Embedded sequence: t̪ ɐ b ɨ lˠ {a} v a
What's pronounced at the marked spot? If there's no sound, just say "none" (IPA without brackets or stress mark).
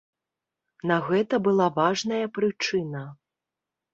a